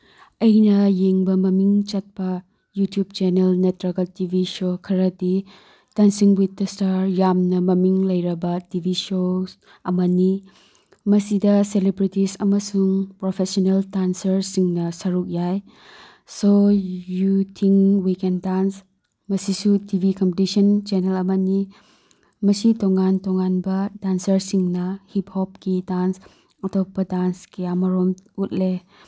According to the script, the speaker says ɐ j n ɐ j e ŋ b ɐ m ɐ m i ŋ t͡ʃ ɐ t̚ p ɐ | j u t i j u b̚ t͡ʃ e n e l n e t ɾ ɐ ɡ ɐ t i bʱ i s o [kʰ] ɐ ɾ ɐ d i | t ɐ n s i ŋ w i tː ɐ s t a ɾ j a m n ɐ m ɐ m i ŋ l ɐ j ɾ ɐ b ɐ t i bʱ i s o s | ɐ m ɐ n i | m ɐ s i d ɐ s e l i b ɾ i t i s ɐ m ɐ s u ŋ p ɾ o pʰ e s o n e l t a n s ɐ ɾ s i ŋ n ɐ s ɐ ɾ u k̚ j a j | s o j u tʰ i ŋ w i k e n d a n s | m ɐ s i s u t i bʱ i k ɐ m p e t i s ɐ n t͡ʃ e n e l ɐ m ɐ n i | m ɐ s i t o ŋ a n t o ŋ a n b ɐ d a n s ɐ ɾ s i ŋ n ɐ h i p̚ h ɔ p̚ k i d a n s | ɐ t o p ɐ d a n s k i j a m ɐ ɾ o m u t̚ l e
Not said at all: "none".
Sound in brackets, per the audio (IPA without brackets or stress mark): kʰ